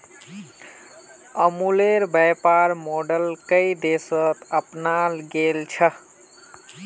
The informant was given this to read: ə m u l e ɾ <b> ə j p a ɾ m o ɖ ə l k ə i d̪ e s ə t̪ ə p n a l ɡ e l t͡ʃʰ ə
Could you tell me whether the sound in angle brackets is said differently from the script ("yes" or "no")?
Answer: no